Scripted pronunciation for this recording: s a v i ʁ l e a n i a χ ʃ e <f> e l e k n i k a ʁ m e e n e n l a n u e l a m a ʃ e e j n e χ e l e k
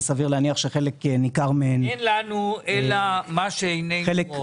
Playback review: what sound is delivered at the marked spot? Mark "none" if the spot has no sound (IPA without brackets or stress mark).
χ